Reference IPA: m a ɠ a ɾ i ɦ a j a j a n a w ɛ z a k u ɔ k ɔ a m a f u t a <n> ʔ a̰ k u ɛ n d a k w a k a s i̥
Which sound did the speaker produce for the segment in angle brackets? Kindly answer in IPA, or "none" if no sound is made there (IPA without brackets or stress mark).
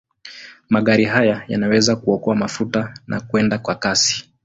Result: n